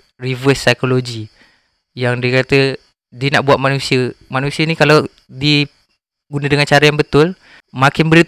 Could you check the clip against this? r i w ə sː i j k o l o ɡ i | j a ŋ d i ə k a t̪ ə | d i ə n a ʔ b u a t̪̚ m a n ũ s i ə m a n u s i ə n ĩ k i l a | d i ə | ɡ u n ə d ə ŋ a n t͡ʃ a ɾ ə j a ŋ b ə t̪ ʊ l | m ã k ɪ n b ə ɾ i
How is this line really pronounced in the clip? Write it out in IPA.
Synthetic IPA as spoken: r i v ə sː a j k o l o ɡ i | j a ŋ d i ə k a t̪ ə | d i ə n a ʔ b u a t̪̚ m a n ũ s i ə m a n u s i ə n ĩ k a l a | d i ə | ɡ u n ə d ə ŋ a n t͡ʃ a ɾ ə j a ŋ b ə t̪ ʊ l | m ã k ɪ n b ə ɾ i